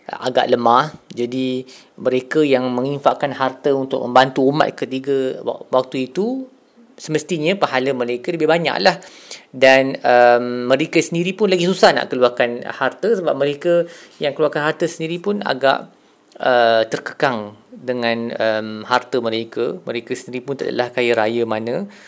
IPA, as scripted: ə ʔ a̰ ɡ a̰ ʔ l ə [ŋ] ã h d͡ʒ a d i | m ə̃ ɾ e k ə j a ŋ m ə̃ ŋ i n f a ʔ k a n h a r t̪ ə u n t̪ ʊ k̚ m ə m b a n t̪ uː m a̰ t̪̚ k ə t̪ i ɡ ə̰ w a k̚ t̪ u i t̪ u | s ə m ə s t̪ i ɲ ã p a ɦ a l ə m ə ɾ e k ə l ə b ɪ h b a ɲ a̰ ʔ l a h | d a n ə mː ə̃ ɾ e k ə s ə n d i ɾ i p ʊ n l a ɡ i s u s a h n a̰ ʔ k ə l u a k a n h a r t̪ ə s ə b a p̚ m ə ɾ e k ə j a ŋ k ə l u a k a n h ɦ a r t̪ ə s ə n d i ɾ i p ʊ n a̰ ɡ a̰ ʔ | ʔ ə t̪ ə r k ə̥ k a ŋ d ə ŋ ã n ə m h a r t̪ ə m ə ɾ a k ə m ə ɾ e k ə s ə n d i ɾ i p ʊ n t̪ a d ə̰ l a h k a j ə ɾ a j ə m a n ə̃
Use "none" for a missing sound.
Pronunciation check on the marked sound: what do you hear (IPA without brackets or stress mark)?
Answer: m